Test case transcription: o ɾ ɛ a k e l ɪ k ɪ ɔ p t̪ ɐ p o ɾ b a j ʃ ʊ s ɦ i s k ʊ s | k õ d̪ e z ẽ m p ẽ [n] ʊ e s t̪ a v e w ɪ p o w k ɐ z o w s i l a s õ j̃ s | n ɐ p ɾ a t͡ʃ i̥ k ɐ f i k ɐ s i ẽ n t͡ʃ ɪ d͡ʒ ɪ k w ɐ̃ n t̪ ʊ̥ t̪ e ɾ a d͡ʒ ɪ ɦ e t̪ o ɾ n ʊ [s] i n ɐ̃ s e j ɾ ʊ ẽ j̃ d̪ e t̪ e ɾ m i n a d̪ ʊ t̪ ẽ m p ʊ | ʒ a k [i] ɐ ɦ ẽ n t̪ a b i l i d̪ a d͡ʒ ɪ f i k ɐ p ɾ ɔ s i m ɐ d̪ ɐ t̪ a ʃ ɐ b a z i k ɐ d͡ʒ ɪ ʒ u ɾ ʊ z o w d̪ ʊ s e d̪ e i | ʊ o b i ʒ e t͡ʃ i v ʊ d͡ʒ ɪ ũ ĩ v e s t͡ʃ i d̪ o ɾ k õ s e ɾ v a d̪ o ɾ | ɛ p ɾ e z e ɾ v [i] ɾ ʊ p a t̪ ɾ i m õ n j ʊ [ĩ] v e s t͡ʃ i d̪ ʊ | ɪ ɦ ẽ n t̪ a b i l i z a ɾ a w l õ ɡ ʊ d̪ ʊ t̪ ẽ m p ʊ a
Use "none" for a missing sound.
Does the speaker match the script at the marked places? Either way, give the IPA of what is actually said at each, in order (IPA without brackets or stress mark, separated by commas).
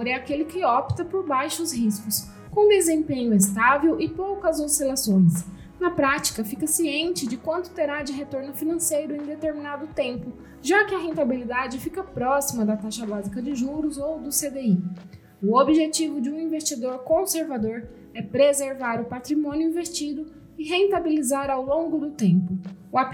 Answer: ɲ, f, ɪ, a, ĩ